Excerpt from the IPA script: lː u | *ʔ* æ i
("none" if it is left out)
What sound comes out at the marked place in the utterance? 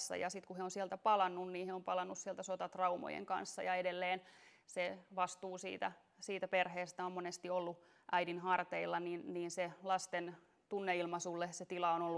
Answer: ʔ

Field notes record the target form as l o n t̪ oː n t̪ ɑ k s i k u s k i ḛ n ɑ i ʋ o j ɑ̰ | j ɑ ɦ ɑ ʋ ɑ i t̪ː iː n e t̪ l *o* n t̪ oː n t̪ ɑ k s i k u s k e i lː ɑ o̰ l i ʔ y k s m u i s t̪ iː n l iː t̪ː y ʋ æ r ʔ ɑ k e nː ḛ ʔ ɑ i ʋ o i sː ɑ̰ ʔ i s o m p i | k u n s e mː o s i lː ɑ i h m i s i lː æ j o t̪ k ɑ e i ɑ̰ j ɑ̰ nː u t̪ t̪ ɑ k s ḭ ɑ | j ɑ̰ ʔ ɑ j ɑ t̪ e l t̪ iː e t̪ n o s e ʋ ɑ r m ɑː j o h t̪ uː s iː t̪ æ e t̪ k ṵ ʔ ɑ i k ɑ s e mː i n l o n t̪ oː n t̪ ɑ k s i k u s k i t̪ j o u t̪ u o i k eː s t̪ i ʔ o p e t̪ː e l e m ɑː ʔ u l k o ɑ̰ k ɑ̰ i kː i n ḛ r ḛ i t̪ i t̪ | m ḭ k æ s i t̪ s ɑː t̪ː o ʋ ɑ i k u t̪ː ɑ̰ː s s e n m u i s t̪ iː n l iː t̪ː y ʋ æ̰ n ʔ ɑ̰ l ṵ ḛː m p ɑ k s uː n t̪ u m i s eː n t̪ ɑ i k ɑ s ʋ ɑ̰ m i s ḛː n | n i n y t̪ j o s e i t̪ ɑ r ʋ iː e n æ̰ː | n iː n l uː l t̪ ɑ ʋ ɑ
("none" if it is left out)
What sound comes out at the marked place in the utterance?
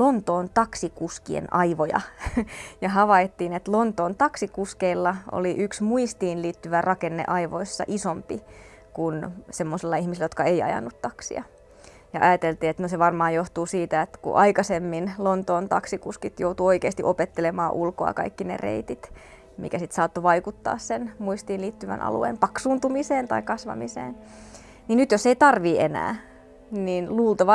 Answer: o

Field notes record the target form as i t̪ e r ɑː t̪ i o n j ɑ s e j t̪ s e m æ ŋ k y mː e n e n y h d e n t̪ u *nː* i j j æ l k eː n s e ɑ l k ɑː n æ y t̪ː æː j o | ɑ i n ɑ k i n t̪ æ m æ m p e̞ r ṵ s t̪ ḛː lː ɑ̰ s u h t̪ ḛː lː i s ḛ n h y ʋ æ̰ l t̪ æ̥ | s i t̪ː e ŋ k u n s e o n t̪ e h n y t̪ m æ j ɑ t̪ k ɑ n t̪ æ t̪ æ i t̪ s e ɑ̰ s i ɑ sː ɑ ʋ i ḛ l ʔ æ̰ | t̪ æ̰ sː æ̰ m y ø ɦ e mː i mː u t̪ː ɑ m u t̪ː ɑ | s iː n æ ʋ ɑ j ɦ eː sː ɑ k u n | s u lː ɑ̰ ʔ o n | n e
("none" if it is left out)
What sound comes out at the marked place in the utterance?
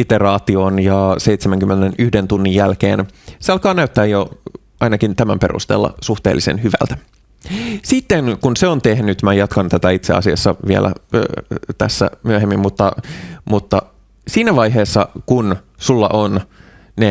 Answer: nː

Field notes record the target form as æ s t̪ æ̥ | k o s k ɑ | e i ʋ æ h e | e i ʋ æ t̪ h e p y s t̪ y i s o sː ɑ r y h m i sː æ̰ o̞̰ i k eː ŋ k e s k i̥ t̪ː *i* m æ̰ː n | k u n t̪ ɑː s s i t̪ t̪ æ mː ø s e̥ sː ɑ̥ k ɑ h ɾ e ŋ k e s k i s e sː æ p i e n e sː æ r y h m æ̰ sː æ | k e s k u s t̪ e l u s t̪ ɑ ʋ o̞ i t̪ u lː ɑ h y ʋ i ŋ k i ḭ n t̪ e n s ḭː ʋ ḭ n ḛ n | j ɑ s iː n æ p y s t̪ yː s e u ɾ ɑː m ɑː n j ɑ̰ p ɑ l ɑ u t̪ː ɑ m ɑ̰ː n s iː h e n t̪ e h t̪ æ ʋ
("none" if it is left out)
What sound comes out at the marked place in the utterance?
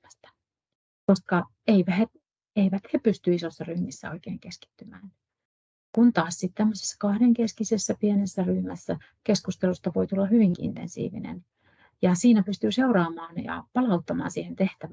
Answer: y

